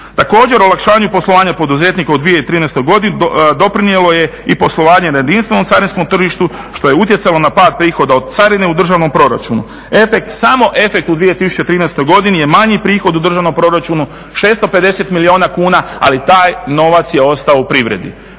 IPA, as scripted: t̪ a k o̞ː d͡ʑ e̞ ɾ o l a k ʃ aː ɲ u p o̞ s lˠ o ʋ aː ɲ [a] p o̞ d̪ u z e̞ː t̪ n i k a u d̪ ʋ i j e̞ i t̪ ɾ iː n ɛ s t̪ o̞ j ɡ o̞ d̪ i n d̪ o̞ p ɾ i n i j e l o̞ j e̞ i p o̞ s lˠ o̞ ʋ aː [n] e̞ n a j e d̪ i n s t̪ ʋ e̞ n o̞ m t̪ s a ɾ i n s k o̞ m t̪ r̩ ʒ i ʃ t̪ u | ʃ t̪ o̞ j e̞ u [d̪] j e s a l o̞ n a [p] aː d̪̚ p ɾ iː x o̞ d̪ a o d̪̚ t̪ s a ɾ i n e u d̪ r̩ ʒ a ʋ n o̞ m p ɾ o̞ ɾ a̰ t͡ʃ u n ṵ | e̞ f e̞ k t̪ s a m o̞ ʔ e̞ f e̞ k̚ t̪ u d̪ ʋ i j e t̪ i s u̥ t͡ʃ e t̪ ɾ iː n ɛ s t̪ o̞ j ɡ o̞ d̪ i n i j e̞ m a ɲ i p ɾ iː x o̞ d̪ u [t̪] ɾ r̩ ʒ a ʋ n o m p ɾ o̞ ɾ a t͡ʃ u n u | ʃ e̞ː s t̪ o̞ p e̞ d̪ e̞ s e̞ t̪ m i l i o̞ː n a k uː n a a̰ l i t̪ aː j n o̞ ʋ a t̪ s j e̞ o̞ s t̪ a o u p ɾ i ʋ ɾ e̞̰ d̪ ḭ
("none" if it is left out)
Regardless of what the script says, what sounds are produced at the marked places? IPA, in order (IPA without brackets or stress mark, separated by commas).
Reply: a, ɲ, t̪, p, d̪